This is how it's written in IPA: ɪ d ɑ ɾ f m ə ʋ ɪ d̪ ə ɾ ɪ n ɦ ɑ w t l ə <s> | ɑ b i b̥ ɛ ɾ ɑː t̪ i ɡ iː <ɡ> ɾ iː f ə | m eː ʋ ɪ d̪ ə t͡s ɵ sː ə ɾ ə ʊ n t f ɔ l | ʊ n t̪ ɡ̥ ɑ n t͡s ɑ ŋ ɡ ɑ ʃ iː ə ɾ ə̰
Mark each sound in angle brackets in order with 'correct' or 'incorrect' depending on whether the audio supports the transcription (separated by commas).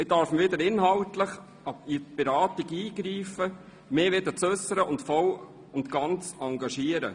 incorrect, correct